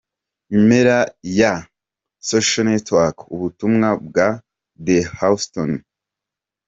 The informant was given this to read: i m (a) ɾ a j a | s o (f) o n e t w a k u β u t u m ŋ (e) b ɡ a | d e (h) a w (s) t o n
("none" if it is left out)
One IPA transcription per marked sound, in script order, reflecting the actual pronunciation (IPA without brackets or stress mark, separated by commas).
e, ʃ, a, h, s